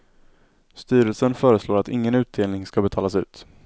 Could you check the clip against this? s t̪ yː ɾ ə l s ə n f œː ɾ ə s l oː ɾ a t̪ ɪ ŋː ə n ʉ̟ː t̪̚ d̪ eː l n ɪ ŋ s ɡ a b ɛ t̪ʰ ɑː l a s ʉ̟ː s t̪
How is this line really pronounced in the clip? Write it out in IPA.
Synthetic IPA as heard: s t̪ yː ɾ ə l s ə n f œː ɾ ə s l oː ɾ a t̪ ɪ ŋː ə n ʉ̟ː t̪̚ d̪ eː l n ɪ ŋ s k a b ɛ t̪ʰ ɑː l a s ʉ̟ː t̪